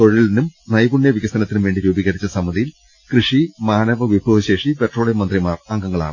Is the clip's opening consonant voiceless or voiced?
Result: voiceless